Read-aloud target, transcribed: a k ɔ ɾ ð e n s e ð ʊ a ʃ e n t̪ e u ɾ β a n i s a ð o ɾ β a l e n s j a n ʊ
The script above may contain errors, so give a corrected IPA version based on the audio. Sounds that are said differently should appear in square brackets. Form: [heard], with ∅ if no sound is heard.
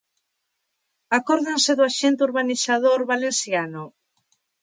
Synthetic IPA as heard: a k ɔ ɾ ð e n s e ð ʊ a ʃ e n t̪ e u ɾ β a n i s a ð o ɾ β a l e n s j a n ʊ